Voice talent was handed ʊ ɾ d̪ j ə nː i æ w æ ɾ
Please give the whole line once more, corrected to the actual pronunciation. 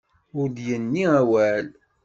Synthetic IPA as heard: ʊ ɾ d̪ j ə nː i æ w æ l